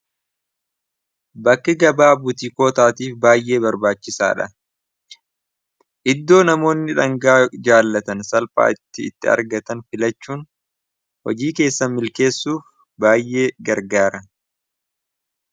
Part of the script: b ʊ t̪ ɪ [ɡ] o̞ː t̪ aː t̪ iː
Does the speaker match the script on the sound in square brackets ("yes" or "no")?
no